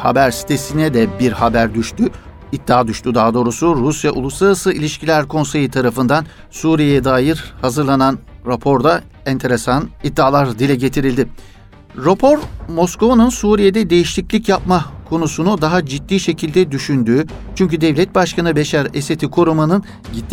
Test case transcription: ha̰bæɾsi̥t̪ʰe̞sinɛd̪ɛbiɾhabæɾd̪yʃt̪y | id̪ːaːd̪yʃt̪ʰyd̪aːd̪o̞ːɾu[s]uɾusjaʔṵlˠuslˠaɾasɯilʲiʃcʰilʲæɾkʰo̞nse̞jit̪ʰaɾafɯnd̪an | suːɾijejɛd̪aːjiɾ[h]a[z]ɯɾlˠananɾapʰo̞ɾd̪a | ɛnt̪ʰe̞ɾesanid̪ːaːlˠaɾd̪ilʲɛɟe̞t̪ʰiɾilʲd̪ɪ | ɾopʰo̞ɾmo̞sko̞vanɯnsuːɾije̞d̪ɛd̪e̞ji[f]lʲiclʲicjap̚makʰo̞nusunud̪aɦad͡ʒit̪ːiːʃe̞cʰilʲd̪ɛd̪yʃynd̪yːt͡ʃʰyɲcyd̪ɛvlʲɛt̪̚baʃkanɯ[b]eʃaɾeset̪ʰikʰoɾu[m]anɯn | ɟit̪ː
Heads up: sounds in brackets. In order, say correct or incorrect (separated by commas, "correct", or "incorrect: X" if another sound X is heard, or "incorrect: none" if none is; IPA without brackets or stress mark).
correct, correct, correct, incorrect: ʃ, correct, correct